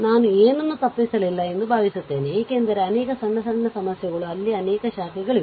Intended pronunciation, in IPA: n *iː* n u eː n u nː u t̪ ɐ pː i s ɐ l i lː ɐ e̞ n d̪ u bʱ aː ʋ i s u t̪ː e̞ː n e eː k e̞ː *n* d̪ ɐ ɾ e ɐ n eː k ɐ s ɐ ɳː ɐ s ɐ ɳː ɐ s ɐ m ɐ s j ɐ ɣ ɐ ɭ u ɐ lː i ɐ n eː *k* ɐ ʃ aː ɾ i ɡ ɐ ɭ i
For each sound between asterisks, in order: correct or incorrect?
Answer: incorrect: aː, correct, correct

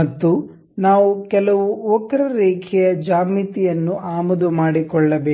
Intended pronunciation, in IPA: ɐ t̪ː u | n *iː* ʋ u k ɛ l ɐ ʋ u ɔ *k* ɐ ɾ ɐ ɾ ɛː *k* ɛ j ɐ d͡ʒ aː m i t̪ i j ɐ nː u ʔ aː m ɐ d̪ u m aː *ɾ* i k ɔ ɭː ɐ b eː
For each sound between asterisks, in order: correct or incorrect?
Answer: incorrect: aː, correct, incorrect: kʰ, incorrect: ɽ

